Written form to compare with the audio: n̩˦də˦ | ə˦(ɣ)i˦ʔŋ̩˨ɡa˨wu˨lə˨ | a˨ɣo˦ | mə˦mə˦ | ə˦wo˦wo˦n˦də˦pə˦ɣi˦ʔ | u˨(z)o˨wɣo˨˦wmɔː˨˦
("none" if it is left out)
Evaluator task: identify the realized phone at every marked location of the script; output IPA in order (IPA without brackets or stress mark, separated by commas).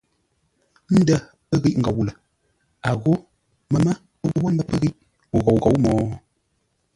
ɣ, ɣ